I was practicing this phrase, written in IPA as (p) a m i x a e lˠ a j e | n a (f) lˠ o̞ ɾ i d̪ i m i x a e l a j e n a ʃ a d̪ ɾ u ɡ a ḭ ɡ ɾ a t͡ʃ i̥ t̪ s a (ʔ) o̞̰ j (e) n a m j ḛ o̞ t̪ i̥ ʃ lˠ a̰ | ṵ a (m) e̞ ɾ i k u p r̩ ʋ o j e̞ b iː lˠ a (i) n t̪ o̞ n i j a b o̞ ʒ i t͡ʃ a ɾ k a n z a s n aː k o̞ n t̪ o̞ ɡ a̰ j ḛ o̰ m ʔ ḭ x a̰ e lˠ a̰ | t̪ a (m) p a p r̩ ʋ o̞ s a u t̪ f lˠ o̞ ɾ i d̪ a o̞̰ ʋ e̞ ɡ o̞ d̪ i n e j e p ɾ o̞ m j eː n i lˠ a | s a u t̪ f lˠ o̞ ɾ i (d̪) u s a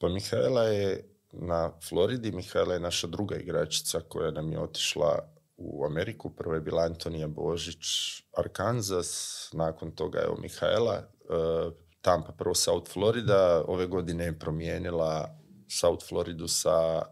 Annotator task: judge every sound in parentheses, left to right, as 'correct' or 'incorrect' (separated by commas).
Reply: correct, correct, incorrect, incorrect, correct, incorrect, correct, correct